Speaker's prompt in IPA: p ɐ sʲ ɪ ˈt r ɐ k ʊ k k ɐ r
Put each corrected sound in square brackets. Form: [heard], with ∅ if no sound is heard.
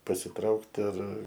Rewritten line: p ɐ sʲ ɪ ˈt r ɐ [∅] ʊ k [t] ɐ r